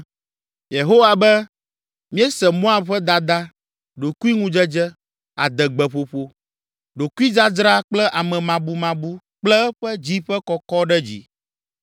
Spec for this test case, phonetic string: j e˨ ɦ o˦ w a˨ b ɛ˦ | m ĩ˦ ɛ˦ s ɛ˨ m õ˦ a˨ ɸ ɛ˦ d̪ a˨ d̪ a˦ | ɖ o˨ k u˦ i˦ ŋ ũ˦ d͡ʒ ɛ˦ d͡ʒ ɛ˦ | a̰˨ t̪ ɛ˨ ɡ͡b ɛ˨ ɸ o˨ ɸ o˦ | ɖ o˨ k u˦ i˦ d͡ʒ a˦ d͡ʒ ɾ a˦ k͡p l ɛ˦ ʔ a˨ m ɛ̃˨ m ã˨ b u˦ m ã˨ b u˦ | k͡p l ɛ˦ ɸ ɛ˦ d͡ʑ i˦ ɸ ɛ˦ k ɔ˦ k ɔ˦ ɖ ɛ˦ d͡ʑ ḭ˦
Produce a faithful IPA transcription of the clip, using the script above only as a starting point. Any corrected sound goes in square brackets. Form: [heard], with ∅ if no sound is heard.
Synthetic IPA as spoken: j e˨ ɦ o˦ w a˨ b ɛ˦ | m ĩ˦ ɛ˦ s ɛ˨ m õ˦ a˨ ɸ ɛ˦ d̪ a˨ d̪ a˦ | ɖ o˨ k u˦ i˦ ŋ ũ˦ d͡ʒ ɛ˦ d͡ʒ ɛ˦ | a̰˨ [d̪] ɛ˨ ɡ͡b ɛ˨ ɸ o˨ ɸ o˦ | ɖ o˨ k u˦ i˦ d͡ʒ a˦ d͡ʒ ɾ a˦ k͡p l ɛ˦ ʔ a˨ m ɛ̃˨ m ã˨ b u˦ m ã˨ b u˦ | k͡p l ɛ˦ ɸ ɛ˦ d͡ʑ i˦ ɸ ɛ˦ k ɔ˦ k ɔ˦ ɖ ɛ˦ d͡ʑ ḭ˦

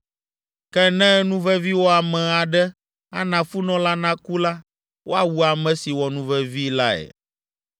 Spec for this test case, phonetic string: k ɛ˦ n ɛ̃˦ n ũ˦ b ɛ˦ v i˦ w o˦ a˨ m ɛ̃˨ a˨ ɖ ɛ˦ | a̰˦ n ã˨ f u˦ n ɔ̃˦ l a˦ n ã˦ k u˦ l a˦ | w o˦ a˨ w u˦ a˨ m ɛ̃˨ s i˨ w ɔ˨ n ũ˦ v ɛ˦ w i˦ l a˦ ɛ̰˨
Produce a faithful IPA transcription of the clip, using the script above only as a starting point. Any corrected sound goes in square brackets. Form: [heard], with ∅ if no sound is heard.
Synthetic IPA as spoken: k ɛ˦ n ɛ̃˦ n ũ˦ [v] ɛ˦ v i˦ w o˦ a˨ m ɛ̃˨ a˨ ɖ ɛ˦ | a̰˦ n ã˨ f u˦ n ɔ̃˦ l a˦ n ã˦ k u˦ l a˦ | w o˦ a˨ w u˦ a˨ m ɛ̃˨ s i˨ w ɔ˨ n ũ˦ v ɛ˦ [v] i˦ l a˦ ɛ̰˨

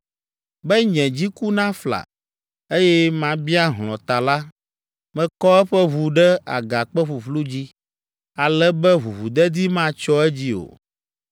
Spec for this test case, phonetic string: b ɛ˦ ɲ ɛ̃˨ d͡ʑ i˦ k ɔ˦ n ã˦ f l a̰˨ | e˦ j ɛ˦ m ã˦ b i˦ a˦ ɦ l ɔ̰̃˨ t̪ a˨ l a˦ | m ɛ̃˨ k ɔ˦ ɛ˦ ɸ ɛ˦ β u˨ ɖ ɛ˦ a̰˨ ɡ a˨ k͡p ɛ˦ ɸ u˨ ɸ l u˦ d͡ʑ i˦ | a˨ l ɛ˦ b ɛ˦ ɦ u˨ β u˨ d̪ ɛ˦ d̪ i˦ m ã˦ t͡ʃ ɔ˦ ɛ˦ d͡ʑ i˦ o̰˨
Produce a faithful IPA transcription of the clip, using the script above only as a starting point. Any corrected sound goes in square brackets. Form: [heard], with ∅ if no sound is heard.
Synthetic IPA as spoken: b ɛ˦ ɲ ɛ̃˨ d͡ʑ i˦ k [u˦] n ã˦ f l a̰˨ | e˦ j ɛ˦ m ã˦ b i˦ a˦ ɦ l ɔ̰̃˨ t̪ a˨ l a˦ | m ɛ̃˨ k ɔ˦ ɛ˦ ɸ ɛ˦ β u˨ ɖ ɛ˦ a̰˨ ɡ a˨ k͡p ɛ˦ ɸ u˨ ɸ l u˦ d͡ʑ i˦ | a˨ l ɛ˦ b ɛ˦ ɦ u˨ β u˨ d̪ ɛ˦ d̪ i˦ m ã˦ t͡ʃ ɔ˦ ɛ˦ d͡ʑ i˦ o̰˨

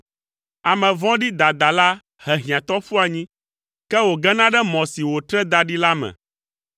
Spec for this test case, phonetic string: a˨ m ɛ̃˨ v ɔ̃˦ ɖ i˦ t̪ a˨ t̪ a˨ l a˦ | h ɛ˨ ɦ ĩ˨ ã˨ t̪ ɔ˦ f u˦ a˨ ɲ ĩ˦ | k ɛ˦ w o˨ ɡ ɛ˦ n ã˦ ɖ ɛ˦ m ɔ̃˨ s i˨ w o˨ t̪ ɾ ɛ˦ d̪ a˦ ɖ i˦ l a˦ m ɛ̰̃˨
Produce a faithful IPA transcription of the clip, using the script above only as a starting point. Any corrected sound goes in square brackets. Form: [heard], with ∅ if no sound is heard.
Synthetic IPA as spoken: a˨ m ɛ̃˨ v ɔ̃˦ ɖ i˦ [d̪] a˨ [d̪] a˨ l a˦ | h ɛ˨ ɦ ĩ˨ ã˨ t̪ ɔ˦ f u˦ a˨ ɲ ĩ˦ | k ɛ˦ w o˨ ɡ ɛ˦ n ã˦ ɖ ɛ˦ m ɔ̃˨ s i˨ w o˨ t̪ ɾ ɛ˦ d̪ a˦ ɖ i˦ l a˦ m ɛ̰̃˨

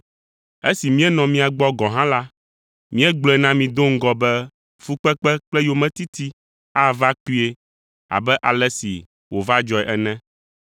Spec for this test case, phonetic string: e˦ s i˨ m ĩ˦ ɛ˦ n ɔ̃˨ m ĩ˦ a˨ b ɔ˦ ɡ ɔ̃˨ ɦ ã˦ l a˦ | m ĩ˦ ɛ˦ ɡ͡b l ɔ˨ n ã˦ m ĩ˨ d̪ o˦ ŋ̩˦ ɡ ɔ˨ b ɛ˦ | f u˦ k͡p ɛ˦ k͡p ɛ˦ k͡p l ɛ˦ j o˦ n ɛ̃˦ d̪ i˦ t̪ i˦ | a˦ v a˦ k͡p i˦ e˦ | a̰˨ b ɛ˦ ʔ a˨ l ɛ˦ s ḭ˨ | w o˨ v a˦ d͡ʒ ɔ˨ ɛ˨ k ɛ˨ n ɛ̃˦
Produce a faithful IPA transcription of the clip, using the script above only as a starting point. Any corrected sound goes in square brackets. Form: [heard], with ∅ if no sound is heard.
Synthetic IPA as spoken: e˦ s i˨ m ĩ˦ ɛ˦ n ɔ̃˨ m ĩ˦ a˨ [ɡ͡b] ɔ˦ ɡ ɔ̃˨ ɦ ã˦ l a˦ | m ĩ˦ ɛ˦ ɡ͡b l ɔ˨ n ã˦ m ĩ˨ d̪ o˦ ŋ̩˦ ɡ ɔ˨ b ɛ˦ | f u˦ k͡p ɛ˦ k͡p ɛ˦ k͡p l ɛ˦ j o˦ [m] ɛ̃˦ [t̪] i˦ t̪ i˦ | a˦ v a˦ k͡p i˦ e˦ | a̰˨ b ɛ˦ ʔ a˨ l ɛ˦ s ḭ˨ | w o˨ v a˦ d͡ʒ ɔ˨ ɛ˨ [ʔ] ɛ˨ n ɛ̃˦

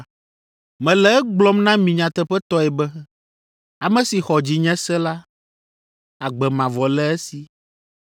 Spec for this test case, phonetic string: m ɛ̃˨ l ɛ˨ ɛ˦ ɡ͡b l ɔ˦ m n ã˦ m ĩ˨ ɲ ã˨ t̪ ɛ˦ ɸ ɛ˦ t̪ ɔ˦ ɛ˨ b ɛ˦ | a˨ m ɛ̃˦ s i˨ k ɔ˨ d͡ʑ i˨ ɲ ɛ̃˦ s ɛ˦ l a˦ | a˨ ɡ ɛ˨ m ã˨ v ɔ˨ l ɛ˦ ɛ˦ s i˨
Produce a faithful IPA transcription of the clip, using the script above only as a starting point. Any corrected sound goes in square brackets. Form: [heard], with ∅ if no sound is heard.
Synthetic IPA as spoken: m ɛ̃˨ l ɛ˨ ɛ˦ ɡ͡b l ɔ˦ m n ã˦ m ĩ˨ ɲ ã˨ t̪ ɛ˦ ɸ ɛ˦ t̪ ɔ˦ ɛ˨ b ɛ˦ | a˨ m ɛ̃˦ s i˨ [x] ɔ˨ d͡ʑ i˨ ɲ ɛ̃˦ s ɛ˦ l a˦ | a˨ [ɡ͡b] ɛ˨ m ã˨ v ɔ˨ l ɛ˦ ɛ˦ s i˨

